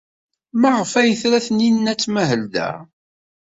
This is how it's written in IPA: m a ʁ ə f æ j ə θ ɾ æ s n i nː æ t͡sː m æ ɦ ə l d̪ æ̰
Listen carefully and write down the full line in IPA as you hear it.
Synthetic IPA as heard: m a ʁ ə f æ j ə θ ɾ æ θ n i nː æ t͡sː m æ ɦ ə l d̪ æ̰